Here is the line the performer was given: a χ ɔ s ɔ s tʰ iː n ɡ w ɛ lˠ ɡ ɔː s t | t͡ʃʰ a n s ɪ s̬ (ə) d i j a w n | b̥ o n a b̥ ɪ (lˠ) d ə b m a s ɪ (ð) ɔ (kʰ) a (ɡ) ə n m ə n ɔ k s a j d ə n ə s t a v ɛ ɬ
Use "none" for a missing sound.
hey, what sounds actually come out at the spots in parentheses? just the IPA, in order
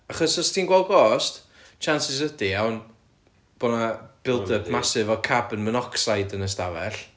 ə, lˠ, v, kʰ, b

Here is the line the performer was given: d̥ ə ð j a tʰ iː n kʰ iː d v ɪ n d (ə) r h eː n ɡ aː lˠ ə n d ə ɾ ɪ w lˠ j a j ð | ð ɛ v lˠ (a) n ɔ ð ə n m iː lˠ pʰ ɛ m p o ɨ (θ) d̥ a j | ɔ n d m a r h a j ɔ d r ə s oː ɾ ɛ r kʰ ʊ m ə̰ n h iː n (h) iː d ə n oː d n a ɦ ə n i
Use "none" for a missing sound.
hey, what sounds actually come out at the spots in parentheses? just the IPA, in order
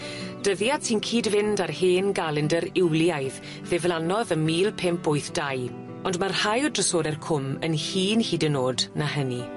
a, a, θ, h

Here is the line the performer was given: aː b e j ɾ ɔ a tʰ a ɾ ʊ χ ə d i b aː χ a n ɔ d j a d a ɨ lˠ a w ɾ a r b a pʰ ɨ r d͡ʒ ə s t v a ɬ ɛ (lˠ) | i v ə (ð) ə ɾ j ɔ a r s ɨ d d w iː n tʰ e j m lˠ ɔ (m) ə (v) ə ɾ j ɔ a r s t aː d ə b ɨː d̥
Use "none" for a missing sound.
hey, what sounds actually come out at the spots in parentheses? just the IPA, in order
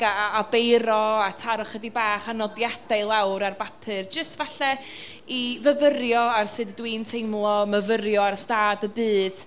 none, v, m, v

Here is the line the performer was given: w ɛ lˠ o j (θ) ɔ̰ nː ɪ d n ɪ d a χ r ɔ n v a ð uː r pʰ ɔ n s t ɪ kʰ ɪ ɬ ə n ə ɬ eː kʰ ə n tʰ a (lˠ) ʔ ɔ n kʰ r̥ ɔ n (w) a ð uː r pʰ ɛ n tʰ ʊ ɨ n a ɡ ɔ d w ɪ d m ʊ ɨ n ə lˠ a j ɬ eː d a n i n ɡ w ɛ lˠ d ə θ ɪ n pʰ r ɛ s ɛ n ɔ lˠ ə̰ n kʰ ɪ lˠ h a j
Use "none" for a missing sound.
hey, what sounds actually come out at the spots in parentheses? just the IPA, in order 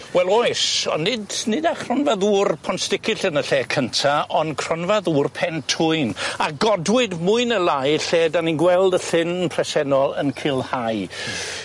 s, none, v

